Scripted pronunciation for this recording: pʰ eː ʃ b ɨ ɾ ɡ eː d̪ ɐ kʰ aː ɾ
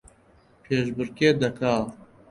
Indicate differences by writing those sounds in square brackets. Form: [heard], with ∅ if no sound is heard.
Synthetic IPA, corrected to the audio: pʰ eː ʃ b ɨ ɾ [k] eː d̪ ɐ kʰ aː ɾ

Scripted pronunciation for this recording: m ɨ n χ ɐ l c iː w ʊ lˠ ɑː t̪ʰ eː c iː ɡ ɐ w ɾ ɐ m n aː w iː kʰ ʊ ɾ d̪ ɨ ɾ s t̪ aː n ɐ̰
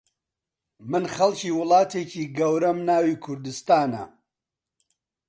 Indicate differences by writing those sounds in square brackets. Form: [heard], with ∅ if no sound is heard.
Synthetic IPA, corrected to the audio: m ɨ n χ ɐ l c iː w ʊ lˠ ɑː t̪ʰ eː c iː ɡ ɐ w ɾ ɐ m n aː w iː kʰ ʊ ɾ d̪ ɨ [∅] s t̪ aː n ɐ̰

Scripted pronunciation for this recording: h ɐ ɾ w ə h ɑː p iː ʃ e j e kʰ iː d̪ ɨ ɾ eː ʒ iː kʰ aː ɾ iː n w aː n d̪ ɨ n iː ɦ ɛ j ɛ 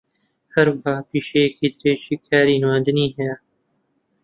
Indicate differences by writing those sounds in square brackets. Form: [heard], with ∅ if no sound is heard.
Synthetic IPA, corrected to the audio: h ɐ ɾ w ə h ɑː p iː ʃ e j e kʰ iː d̪ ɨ ɾ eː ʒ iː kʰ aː ɾ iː n w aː n d̪ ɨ n iː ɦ ɛ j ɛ

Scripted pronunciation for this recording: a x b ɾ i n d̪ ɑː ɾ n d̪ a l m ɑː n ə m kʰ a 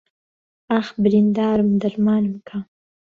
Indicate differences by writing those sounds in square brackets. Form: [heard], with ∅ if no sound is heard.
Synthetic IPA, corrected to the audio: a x b ɾ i n d̪ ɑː ɾ [m] d̪ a [ɾ] m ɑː n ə m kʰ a

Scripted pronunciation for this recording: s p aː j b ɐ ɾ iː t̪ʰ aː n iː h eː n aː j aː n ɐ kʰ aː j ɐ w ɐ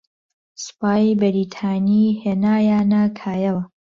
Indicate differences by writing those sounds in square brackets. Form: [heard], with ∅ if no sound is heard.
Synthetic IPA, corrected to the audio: s p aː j b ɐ ɾ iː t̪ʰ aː n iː h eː n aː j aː n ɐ kʰ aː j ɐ w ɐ

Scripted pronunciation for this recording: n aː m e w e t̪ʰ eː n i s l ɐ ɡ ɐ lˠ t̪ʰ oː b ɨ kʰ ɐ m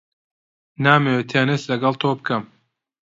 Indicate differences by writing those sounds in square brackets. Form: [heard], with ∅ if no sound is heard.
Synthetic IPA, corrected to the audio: n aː m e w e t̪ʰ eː n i s l ɐ ɡ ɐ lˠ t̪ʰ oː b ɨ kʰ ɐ m

